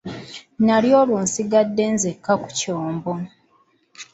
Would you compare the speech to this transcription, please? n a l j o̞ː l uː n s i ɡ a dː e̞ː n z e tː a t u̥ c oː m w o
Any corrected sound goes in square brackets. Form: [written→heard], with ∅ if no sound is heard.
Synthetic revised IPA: n a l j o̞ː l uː n s i ɡ a dː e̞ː n z e [tː→kː] a [t→k] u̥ c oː m [w→b] o